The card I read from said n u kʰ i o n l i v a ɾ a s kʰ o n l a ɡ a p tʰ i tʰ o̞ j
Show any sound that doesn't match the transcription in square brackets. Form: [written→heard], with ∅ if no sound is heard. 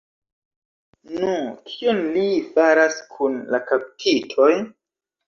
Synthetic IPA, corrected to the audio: n u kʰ i o n l i [v→f] a ɾ a s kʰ [o→u] n l a [ɡ→k] a p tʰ i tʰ o̞ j